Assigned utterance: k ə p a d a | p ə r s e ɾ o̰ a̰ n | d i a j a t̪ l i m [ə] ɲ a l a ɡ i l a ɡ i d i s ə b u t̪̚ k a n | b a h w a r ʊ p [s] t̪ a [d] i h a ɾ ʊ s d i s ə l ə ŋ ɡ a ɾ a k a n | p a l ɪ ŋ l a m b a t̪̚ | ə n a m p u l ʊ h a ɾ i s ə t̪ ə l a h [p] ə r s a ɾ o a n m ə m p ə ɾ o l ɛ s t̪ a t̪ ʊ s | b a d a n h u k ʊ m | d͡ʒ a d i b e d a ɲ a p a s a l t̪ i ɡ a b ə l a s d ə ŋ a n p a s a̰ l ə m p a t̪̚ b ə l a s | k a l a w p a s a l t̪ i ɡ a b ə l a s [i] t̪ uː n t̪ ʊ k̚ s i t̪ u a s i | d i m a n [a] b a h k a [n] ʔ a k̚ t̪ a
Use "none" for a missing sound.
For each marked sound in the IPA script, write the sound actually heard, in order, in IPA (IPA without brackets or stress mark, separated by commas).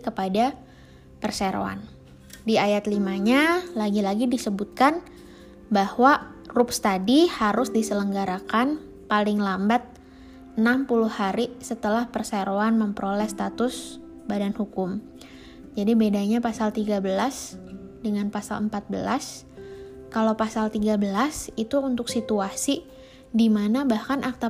a, s, d, p, i, a, n